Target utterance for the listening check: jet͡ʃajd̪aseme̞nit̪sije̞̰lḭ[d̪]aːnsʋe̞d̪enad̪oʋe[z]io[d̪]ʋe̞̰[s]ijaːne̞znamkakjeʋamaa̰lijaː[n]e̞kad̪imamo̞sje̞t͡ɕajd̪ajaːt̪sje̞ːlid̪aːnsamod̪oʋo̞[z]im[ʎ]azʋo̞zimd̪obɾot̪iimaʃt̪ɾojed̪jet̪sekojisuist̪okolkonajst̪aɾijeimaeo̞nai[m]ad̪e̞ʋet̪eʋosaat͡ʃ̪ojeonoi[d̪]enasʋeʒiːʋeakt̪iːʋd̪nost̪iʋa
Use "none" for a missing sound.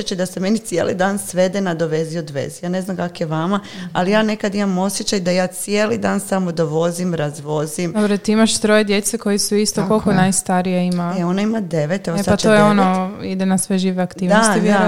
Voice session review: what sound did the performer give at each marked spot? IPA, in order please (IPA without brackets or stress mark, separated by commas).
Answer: d̪, z, d̪, z, n, z, ɾ, m, d̪